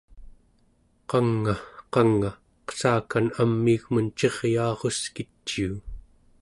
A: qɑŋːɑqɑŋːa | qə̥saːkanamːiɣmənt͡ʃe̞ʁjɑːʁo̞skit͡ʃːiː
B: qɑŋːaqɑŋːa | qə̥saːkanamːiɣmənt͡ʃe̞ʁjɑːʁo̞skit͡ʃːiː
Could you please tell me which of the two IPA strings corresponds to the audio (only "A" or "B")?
B